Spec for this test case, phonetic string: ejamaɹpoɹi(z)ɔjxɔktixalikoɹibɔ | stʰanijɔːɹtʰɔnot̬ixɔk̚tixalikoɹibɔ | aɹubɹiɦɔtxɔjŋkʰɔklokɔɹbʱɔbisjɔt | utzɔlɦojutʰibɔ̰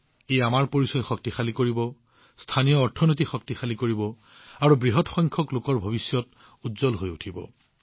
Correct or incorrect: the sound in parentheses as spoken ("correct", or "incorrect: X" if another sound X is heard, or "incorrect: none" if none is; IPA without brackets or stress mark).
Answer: incorrect: s